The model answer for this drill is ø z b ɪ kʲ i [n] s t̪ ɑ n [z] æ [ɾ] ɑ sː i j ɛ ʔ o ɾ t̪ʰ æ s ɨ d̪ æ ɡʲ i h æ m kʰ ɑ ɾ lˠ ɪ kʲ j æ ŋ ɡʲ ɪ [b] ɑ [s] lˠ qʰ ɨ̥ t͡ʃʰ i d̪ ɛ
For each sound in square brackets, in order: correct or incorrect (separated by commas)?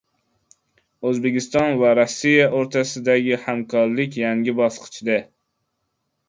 incorrect, incorrect, correct, correct, correct